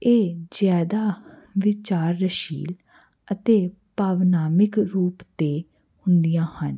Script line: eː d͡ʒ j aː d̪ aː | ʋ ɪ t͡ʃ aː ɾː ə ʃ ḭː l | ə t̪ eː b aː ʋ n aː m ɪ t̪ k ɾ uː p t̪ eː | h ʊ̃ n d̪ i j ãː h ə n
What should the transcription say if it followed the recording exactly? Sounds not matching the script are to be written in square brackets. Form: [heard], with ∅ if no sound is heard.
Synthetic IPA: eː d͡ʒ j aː d̪ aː | ʋ ɪ t͡ʃ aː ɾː ə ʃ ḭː l | ə t̪ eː [p] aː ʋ n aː m ɪ [∅] k ɾ uː p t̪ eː | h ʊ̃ n d̪ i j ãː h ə n